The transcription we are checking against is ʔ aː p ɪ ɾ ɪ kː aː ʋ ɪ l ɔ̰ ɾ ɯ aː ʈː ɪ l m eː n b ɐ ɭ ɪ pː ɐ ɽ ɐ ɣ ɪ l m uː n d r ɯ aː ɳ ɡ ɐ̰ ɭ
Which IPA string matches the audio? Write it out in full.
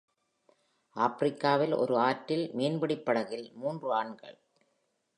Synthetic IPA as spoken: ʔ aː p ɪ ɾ ɪ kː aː ʋ ɪ l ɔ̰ ɾ ɯ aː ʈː ɪ l m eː n b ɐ ɽ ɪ pː ɐ ɽ ɐ ɣ ɪ l m uː n d r ɯ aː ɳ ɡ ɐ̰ ɭ